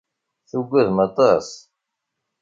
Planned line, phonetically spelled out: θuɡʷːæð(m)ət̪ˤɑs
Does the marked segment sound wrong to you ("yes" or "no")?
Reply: no